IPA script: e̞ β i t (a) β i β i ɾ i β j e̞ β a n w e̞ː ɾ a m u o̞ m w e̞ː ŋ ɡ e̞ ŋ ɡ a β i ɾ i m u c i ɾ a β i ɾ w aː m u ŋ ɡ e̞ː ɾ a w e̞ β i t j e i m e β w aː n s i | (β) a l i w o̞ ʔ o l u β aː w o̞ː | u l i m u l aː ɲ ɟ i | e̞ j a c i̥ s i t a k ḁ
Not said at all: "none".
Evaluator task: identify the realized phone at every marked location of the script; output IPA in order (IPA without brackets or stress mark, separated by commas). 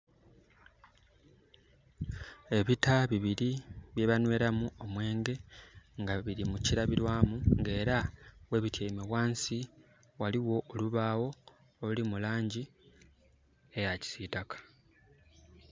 a, w